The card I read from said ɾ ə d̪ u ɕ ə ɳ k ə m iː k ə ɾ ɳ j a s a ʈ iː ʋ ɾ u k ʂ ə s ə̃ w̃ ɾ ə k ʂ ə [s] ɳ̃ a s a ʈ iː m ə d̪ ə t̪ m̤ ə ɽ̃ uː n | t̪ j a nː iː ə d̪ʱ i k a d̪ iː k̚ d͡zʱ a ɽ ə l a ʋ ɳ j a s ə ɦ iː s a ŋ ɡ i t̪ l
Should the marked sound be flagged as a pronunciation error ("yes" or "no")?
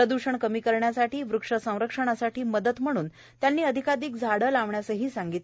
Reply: yes